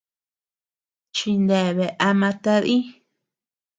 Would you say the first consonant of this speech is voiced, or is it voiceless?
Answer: voiceless